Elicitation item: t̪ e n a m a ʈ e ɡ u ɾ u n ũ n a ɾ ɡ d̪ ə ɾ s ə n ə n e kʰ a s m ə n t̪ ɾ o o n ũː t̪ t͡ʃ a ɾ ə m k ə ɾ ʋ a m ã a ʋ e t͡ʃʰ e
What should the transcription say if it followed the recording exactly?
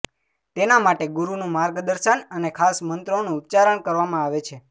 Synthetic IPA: t̪ e n a m a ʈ e ɡ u ɾ u n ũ m a ɾ ɡ d̪ ə ɾ ʃ ə n ə n e kʰ a s m ə n t̪ ɾ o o n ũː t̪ t͡ʃ a ɾ ə ɳ k ə ɾ ʋ a m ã a ʋ e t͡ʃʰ e